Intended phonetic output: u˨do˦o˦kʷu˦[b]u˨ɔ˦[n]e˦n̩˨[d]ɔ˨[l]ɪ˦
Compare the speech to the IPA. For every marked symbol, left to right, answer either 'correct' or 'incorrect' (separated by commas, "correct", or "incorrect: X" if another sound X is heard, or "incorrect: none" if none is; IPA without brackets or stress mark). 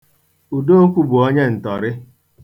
correct, incorrect: ɲ, incorrect: t, incorrect: ɾ